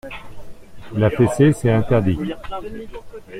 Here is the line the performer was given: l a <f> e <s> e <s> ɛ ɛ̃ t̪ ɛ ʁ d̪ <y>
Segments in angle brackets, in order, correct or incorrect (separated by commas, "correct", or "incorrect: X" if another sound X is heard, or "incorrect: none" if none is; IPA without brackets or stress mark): correct, correct, correct, incorrect: i